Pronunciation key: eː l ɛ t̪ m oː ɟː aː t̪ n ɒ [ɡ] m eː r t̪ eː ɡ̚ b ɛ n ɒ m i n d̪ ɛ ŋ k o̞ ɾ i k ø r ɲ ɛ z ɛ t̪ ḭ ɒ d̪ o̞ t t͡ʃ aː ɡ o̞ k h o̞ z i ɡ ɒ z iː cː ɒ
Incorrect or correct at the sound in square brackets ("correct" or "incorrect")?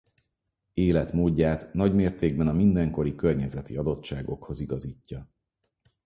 incorrect